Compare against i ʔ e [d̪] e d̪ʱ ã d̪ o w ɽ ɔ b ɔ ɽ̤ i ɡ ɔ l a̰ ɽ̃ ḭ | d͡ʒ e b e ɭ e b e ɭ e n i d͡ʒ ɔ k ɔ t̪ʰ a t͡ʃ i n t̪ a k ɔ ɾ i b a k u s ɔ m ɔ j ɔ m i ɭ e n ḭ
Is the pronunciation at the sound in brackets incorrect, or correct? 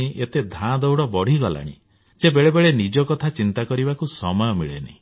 incorrect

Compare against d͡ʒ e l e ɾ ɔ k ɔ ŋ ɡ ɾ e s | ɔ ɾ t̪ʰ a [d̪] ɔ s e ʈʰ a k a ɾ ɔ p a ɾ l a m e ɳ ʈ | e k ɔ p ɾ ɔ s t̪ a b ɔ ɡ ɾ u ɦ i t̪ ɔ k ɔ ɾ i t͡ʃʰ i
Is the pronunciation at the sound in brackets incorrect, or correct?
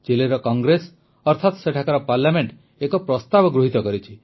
incorrect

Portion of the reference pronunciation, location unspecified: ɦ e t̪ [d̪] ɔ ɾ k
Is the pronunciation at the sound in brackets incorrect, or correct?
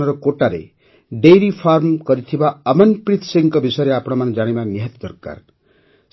correct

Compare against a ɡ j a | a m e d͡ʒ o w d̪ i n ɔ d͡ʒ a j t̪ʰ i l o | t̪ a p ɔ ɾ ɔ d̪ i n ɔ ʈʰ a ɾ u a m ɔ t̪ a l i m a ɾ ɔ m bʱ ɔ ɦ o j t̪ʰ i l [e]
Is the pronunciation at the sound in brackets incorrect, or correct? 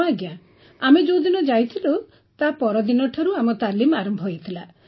incorrect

